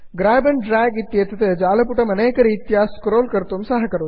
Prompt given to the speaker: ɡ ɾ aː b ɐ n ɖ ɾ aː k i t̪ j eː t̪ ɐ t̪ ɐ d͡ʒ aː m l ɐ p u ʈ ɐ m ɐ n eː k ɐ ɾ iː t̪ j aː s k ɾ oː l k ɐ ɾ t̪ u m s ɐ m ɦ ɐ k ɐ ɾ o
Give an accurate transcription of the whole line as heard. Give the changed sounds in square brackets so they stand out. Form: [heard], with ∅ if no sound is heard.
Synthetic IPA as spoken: ɡ ɾ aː b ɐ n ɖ ɾ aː [ɡ] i t̪ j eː t̪ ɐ t̪ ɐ d͡ʒ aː [∅] l ɐ p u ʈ ɐ m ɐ n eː k ɐ ɾ iː t̪ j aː s k ɾ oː l k ɐ ɾ t̪ u m s ɐ [∅] ɦ ɐ k ɐ ɾ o